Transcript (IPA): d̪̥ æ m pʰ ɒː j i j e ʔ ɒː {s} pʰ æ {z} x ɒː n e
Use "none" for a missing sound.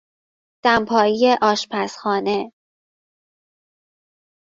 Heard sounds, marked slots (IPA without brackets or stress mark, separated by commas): ʃ, s